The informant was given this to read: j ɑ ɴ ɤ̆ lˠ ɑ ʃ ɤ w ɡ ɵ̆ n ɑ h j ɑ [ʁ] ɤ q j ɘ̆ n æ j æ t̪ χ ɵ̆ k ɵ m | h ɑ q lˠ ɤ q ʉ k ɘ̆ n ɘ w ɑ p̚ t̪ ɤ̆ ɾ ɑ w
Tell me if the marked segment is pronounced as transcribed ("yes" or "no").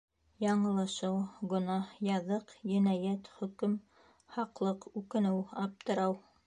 no